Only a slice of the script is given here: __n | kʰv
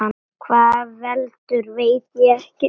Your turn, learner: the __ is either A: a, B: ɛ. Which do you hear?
A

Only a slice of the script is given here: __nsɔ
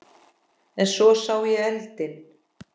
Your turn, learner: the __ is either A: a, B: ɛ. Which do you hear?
B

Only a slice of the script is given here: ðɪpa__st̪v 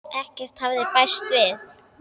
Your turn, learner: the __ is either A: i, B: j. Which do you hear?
B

